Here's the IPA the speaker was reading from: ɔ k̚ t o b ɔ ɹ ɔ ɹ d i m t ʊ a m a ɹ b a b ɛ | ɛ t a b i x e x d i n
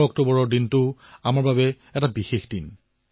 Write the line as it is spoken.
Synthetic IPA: ɔ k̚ t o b ɔ ɹ ɔ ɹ d i n t ʊ a m a ɹ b a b ɛ | ɛ t a b i x e x d i n